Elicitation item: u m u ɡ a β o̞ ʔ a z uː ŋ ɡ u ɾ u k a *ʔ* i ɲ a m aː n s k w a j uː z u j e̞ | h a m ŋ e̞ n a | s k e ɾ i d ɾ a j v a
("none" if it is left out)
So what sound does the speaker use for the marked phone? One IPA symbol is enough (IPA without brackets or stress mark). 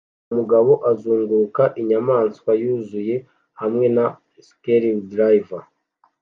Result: ʔ